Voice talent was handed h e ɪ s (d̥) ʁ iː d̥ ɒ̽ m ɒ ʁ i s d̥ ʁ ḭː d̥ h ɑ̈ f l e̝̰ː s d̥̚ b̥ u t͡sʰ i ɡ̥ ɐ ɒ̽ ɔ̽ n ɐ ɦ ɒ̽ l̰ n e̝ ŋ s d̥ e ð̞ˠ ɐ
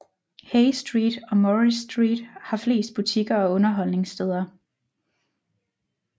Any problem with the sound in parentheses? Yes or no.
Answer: no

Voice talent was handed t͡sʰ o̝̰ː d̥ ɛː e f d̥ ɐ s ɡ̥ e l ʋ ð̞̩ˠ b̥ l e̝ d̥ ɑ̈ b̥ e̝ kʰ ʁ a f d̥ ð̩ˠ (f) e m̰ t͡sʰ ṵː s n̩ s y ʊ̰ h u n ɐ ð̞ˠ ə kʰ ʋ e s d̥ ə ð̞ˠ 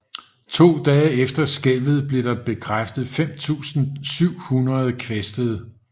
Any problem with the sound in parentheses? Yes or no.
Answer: no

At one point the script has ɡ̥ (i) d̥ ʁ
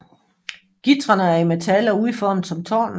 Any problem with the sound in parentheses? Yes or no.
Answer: no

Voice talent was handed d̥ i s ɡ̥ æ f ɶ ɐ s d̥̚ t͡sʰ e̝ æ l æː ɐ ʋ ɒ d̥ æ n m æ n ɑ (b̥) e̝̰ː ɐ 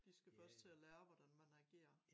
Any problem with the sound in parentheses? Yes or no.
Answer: yes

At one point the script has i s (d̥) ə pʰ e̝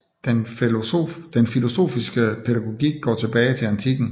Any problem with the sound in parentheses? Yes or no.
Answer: yes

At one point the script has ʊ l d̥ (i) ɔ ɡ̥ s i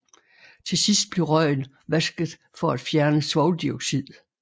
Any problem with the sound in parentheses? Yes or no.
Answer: no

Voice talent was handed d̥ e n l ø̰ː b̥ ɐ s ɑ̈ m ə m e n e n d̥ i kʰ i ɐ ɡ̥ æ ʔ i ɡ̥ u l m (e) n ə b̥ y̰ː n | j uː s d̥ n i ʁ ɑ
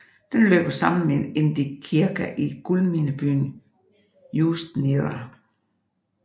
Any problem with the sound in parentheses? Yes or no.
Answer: yes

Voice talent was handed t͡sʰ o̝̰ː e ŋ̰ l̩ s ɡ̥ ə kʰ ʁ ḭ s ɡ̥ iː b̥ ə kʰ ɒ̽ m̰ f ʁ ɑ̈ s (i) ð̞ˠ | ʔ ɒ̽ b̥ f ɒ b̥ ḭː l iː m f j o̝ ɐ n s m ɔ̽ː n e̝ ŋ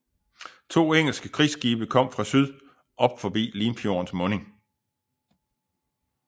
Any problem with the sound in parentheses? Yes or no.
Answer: yes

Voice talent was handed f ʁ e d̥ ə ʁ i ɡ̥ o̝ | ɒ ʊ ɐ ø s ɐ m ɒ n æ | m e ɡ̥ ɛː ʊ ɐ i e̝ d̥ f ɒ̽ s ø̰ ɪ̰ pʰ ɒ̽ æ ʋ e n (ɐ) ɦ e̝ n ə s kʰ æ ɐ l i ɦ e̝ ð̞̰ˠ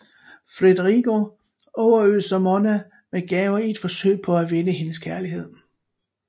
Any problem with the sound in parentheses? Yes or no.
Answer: yes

